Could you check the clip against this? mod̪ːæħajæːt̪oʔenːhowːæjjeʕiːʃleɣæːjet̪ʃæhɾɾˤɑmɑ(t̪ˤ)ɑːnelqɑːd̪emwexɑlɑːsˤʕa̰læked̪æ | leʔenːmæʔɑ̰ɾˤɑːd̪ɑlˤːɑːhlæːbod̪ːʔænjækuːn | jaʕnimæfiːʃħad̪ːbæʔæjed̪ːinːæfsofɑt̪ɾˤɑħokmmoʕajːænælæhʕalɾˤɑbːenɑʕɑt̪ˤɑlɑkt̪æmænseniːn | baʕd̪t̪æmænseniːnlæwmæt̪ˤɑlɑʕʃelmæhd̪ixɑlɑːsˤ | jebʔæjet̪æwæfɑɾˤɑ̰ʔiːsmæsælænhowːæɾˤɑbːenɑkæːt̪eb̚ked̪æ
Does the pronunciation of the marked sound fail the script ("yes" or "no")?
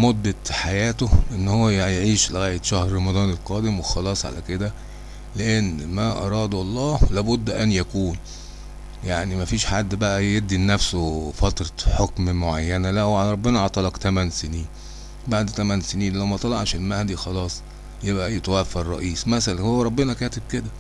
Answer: yes